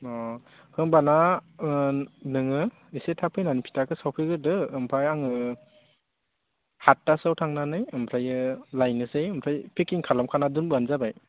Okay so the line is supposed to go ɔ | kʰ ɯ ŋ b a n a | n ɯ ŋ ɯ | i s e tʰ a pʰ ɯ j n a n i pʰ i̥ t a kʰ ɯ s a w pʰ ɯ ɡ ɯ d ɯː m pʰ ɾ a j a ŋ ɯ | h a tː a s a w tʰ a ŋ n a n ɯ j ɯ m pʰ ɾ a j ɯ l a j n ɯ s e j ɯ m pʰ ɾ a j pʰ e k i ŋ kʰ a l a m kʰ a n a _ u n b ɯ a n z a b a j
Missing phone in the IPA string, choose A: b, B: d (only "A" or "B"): B